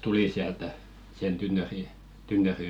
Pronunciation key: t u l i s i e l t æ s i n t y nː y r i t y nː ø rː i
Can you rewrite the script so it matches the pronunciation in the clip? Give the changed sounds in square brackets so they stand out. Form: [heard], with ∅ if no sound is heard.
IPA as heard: t u l i s i [æ] l t æ s [e] n t y nː [ø] r i t y nː ø [r] i